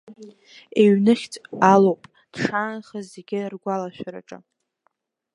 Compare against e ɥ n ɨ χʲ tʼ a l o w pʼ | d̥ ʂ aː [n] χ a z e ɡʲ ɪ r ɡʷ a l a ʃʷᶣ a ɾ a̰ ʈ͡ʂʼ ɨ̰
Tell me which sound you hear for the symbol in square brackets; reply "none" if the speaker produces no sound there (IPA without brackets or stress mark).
n